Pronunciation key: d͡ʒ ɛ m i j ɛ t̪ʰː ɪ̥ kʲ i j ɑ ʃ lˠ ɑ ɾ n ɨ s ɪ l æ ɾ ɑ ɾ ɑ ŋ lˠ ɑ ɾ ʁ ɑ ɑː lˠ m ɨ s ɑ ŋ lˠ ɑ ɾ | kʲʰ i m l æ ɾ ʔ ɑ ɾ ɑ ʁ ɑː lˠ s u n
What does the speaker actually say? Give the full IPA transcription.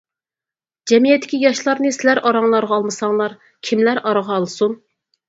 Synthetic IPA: d͡ʒ ɛ m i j ɛ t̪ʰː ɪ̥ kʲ i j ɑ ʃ lˠ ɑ ɾ n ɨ s ɪ l æ ɾ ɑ ɾ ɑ ŋ lˠ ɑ ɾ ʁ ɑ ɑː lˠ m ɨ s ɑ ŋ lˠ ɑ ɾ | kʲʰ i m l æ ɾ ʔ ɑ ɾ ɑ ʁ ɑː lˠ s u n